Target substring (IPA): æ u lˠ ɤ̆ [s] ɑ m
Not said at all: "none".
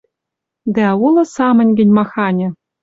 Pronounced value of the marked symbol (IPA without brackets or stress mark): s